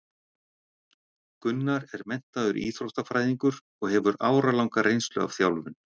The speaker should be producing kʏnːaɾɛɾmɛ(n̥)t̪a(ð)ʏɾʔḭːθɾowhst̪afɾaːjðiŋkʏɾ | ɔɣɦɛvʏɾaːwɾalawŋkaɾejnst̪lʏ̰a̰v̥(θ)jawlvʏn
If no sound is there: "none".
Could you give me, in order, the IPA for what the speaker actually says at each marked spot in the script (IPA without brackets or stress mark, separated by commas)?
n̥, ð, θ